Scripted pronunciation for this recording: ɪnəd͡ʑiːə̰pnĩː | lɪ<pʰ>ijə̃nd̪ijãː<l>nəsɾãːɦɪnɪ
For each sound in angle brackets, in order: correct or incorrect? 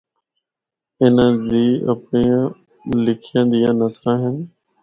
incorrect: kʰ, incorrect: none

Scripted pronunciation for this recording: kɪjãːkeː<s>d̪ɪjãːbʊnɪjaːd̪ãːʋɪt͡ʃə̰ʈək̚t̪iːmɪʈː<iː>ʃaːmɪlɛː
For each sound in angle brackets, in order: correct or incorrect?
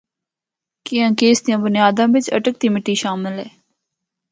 correct, correct

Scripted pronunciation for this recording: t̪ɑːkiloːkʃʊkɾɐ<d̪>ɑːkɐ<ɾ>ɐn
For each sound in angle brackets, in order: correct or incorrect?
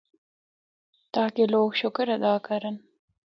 correct, correct

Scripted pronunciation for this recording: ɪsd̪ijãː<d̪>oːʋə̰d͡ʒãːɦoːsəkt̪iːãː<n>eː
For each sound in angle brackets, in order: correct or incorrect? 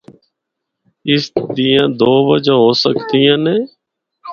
correct, correct

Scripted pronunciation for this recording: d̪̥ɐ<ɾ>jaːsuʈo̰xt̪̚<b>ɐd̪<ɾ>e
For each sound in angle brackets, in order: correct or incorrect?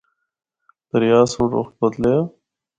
correct, correct, incorrect: l

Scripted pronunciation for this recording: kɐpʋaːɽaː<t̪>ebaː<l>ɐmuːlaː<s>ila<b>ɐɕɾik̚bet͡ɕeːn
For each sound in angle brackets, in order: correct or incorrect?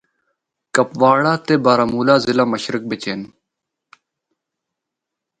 correct, incorrect: ɾ, incorrect: z, incorrect: m

